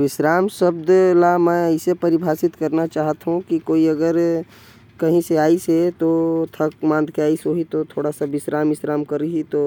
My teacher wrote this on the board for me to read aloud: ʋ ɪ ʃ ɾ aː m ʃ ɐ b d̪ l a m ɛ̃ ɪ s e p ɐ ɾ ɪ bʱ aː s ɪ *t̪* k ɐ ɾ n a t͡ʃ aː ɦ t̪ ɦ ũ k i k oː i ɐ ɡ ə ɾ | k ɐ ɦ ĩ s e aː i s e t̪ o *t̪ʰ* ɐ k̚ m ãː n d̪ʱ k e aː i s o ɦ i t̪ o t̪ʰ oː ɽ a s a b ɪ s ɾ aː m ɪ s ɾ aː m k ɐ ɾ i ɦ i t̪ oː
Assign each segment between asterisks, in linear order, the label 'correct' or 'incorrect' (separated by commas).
correct, correct